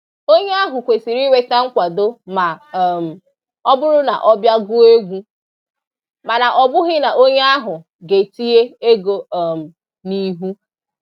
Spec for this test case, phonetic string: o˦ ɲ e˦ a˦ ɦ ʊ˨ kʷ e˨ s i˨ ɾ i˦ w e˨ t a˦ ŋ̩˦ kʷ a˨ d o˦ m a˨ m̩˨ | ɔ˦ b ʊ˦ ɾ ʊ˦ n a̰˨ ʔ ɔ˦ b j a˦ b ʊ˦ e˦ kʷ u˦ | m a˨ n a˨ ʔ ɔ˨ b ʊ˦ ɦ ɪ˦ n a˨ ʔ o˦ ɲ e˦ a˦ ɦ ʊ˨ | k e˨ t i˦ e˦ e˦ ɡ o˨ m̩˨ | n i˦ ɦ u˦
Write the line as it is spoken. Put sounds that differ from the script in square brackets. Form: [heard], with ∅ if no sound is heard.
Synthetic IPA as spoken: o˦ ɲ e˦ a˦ ɦ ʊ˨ kʷ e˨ s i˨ ɾ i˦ w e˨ t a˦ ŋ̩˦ kʷ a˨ d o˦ m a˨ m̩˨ | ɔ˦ b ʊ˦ ɾ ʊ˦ n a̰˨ ʔ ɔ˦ b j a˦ [ɡ] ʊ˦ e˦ [ɡʷ] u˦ | m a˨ n a˨ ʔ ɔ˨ b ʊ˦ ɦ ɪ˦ n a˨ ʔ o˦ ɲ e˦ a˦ ɦ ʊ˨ | [ɡ] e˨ t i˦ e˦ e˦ ɡ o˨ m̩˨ | n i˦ ɦ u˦